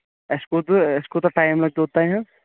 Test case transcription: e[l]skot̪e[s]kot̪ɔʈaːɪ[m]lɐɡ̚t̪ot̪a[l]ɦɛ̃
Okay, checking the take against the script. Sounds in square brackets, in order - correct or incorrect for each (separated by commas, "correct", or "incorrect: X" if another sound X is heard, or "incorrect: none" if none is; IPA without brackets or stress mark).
incorrect: none, correct, correct, incorrect: none